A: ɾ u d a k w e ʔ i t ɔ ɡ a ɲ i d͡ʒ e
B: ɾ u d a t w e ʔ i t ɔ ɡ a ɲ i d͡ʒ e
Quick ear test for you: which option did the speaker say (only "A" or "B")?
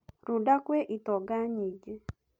A